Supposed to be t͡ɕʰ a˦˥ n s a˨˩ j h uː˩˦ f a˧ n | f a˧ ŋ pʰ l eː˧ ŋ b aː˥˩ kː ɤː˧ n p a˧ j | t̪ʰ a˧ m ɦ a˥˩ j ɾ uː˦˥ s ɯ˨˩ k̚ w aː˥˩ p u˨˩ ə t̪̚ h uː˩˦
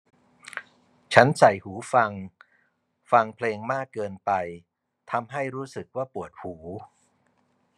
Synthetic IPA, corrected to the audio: t͡ɕʰ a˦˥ n s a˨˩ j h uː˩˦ f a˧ ŋ | f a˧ ŋ pʰ l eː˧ ŋ m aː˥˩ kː ɤː˧ n p a˧ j | t̪ʰ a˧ m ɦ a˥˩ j ɾ uː˦˥ s ɯ˨˩ k̚ w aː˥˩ p u˨˩ ə t̪̚ h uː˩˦